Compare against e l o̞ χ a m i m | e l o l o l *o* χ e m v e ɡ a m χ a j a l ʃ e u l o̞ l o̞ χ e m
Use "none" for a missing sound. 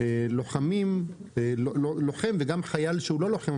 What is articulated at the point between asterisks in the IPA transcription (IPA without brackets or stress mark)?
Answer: o